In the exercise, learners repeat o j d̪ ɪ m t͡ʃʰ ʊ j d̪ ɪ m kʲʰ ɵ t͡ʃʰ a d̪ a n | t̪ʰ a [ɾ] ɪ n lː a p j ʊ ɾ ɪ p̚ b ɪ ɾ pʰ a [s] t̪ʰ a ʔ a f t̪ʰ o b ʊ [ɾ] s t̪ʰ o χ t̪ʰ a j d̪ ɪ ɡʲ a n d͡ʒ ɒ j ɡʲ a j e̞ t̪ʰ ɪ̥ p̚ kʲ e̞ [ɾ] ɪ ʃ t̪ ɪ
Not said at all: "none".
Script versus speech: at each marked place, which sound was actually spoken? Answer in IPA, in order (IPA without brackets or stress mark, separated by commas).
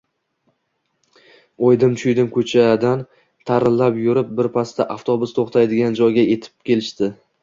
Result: ɾ, s, none, l